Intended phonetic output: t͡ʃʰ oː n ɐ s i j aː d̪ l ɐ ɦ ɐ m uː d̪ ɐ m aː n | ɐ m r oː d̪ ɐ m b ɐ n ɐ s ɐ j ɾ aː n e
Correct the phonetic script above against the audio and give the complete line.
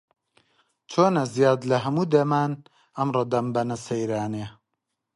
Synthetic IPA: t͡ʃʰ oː n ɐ z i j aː d̪ l ɐ ɦ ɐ m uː d̪ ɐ m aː n | ɐ m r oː d̪ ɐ m b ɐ n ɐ s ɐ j ɾ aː n e